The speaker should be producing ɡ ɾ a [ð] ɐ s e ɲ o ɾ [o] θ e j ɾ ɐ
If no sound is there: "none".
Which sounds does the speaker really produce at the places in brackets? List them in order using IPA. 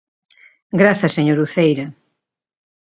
θ, u

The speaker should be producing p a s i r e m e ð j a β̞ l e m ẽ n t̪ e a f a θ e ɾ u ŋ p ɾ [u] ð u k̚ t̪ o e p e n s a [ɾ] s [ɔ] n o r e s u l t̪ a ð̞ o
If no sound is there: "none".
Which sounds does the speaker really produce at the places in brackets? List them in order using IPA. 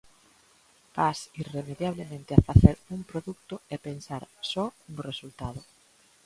o, ɾ, ɔ

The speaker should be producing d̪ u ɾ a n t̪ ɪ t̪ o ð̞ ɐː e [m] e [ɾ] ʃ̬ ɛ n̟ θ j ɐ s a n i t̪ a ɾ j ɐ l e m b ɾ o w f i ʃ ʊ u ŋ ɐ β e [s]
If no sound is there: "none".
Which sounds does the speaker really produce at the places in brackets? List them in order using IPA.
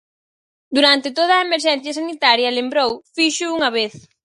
m, ɾ, θ

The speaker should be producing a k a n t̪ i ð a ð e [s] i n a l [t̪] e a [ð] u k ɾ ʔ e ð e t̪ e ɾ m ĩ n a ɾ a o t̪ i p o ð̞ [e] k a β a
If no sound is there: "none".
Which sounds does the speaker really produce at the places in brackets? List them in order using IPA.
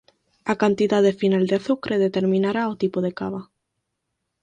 f, d̪, θ, e

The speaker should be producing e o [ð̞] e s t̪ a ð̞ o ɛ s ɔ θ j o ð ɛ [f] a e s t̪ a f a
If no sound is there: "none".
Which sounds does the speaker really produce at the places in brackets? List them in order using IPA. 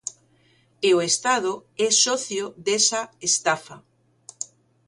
none, s

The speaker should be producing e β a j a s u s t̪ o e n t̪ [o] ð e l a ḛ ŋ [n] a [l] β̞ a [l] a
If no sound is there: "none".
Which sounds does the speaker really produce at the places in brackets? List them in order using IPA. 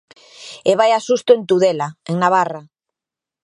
u, n, none, r

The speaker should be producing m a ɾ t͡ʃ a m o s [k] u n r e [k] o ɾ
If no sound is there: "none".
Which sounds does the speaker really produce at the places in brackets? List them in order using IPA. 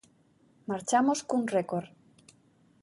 k, k

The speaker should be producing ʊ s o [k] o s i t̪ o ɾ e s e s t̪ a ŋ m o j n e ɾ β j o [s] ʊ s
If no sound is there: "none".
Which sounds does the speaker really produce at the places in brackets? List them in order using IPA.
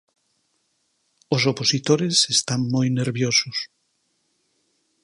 p, s

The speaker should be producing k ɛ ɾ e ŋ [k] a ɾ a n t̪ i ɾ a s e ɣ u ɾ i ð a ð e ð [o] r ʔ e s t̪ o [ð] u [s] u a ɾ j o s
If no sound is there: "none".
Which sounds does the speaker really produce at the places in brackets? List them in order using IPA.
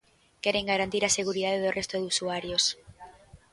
ɡ, o, ð, s

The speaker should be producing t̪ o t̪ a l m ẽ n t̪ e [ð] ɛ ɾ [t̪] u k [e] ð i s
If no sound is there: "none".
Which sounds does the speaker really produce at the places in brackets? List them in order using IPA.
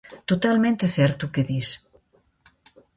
θ, t̪, e

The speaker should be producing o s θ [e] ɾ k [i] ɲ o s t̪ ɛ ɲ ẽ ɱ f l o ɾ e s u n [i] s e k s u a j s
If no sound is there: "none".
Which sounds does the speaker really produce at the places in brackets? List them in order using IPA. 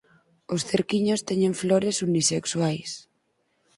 e, i, i

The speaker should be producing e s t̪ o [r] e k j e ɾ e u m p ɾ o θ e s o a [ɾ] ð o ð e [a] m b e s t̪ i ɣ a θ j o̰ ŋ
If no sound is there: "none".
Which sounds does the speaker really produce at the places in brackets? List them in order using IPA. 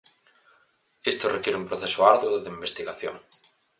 r, ɾ, i

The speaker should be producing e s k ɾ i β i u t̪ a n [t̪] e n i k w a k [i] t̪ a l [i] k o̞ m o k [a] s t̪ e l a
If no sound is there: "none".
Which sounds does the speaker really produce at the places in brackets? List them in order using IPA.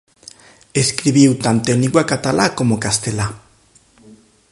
t̪, a, a, a

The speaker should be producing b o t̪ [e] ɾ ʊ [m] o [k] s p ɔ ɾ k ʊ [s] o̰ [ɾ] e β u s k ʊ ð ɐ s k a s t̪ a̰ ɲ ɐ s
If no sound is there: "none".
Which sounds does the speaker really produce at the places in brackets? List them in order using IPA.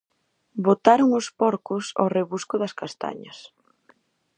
a, ŋ, none, s, r

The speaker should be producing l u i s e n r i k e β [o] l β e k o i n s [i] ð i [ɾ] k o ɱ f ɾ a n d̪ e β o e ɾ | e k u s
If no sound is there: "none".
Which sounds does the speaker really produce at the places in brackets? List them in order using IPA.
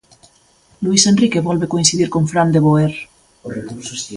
ɔ, i, ɾ

